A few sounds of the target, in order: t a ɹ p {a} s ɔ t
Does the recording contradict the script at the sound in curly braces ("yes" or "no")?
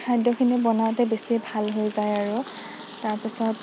yes